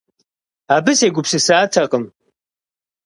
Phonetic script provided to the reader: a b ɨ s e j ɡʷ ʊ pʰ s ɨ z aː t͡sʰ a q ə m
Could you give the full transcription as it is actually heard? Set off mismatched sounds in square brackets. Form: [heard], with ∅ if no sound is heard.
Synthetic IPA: a b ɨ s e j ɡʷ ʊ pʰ s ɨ [s] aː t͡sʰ a [qʼ] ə m